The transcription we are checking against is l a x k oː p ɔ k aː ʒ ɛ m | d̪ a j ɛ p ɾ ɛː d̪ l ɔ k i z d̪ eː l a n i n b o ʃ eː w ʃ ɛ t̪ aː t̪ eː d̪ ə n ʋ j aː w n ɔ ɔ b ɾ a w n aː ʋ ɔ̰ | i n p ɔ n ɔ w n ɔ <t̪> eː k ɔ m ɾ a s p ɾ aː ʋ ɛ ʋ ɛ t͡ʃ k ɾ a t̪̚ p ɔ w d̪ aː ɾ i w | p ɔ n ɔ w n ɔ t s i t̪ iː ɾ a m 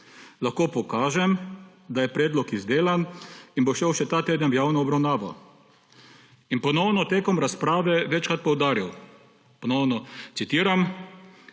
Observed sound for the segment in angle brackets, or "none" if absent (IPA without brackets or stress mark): t̪